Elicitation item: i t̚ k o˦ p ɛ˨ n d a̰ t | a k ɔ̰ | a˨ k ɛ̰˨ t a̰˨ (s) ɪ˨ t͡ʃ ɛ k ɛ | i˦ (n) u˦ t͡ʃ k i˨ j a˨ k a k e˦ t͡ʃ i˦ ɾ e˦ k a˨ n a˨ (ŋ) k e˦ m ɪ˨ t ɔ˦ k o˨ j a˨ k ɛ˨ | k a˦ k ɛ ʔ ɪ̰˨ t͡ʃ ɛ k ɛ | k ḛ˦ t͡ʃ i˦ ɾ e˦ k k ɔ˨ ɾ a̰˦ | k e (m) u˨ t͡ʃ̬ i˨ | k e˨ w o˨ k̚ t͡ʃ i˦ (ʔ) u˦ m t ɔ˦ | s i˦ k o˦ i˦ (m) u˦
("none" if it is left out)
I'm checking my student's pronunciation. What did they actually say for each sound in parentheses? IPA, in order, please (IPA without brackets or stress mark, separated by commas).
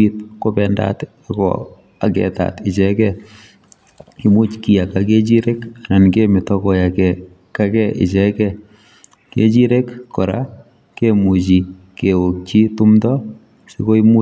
t, m, n, m, t, m